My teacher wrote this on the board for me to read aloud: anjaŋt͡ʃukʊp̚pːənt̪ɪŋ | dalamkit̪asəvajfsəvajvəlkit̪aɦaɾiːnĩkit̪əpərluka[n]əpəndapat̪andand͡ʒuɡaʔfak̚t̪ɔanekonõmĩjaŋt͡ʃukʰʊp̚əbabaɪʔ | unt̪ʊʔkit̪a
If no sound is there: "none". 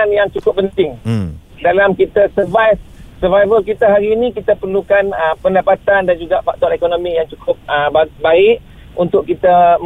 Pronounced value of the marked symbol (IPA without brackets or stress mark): n